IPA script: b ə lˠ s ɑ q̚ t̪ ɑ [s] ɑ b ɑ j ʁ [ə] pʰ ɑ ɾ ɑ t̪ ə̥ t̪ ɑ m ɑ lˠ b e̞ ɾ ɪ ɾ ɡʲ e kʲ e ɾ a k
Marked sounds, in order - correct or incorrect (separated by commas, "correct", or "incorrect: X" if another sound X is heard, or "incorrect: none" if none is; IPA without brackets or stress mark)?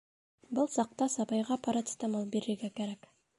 correct, incorrect: ɑ